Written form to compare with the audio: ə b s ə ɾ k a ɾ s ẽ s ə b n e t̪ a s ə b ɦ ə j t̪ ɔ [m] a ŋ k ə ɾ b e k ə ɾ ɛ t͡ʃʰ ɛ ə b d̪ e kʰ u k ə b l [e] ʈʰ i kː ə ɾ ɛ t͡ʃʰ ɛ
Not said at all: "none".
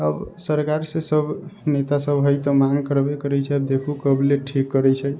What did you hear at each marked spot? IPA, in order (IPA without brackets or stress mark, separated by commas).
m, e